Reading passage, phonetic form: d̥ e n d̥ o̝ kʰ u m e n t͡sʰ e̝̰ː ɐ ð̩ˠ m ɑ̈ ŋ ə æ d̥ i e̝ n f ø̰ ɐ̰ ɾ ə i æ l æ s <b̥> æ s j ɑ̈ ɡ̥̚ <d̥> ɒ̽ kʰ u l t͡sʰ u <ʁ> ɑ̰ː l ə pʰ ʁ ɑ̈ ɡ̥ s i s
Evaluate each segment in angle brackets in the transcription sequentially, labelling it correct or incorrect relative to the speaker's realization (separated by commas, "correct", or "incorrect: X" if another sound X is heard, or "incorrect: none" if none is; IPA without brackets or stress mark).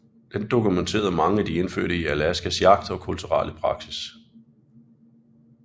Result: incorrect: ɡ̥, correct, correct